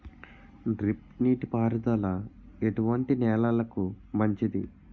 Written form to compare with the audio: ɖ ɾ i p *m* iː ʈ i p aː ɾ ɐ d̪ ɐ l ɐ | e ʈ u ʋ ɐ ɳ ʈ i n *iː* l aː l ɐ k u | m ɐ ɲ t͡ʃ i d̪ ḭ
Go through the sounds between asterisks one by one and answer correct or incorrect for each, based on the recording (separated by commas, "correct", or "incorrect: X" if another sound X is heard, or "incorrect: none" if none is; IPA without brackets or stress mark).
incorrect: n, incorrect: ɛː